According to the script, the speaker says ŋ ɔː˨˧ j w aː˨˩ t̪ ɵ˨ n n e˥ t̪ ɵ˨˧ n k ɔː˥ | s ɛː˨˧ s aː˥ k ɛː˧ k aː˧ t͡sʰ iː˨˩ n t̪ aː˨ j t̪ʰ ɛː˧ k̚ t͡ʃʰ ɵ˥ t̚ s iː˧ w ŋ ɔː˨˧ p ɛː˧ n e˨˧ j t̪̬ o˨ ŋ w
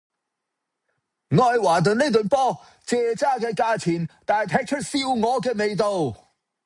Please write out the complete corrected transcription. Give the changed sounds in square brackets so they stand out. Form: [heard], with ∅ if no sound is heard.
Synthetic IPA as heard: ŋ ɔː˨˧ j w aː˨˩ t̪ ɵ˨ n n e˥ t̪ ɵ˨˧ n [p] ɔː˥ | [t͡s] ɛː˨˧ [t͡s] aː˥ k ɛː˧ k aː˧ t͡sʰ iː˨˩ n t̪ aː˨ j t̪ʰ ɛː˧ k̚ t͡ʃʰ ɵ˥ t̚ s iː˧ w ŋ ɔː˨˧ [k] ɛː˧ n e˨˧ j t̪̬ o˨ [∅] w